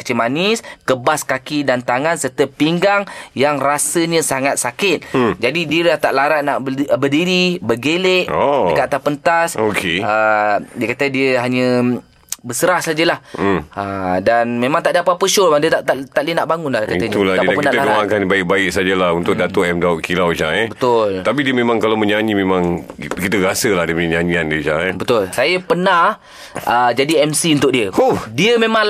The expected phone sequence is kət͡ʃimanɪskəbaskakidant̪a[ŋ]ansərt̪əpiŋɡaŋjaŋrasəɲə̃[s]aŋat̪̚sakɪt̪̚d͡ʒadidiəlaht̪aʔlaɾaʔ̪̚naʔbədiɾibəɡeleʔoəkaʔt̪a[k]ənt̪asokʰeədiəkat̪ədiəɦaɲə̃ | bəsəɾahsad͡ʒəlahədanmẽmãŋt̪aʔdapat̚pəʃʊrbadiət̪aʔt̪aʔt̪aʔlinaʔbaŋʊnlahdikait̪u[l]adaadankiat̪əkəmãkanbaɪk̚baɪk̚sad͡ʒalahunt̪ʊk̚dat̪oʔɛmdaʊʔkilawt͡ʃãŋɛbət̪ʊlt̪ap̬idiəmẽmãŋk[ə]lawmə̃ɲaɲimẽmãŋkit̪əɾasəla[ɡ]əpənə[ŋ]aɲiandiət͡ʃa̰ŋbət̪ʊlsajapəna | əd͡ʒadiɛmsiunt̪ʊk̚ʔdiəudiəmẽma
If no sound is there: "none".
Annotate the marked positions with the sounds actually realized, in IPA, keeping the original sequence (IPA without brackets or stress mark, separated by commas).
ŋ, s, p, l, a, d, ɲ